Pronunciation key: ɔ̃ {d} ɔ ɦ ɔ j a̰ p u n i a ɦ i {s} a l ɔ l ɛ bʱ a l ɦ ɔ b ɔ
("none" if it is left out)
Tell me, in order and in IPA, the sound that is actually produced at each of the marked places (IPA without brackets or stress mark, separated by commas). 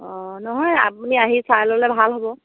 n, s